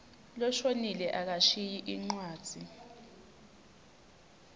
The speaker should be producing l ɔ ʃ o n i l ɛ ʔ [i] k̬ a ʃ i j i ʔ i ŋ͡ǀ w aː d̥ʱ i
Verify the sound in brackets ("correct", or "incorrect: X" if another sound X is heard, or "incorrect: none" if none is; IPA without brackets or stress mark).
incorrect: a